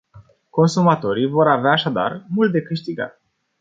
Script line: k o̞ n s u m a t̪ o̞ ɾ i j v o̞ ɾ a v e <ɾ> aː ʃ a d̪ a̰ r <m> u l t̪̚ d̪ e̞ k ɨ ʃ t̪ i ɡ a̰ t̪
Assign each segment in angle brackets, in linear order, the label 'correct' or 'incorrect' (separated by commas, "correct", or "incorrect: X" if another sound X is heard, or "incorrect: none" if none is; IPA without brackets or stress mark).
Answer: incorrect: none, correct